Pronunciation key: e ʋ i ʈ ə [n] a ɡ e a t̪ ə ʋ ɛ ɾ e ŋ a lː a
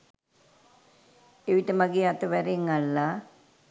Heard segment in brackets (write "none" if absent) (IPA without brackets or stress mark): m